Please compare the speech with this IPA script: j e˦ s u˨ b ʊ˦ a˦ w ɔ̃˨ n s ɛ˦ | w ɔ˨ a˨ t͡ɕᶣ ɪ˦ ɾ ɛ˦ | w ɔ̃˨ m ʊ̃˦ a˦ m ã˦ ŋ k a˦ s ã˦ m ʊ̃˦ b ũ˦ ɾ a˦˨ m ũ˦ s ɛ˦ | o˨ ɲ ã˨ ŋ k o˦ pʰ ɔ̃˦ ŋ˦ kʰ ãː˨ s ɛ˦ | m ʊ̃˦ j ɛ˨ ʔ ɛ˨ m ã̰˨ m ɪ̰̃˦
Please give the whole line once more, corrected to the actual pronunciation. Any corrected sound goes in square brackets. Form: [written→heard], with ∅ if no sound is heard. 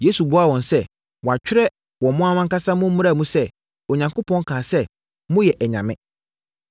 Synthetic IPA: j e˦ s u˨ b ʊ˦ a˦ w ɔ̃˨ n s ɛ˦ | w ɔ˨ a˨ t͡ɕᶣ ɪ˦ ɾ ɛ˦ | w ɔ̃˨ m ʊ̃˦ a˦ m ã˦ ŋ k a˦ s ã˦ m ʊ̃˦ [b→m] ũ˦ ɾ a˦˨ m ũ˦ s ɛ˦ | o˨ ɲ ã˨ ŋ k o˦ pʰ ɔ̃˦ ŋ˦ kʰ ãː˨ s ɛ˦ | m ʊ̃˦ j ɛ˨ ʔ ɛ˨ [m→ɲ] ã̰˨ m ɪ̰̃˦